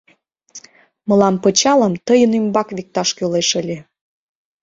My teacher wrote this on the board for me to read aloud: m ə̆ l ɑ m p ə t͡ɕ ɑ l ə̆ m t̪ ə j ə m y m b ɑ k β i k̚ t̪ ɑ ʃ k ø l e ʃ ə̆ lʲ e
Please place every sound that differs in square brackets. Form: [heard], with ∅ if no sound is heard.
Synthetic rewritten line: m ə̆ l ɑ m p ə t͡ɕ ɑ l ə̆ m t̪ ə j ə [n] y m b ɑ k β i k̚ t̪ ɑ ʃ k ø l e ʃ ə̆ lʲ e